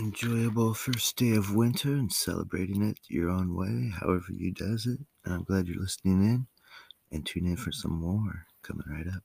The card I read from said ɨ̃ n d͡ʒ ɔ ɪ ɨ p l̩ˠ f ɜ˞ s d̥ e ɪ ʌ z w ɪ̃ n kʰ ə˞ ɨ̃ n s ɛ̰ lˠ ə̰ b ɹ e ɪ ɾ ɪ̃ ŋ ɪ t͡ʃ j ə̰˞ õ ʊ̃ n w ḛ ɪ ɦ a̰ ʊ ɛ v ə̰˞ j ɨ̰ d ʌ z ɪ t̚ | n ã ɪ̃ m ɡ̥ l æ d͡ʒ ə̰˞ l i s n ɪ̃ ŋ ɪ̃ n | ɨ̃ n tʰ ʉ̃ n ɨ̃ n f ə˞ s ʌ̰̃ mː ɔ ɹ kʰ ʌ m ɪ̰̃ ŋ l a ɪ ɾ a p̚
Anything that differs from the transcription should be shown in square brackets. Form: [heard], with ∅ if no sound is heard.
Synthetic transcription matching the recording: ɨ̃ n d͡ʒ ɔ ɪ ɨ [b] l̩ˠ f ɜ˞ s d̥ e ɪ ʌ [v] w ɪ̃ n [tʰ] ə˞ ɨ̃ n s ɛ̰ lˠ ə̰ b ɹ e ɪ ɾ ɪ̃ ŋ ɪ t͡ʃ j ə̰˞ õ ʊ̃ n w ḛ ɪ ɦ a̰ ʊ ɛ v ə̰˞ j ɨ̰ d ʌ z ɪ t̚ | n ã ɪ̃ m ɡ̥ l æ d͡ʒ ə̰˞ l [ɪ] s n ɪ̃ ŋ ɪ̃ n | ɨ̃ n tʰ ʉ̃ n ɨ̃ n f ə˞ s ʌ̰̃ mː ɔ ɹ kʰ ʌ m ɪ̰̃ ŋ [ɹ] a ɪ ɾ [ʌ] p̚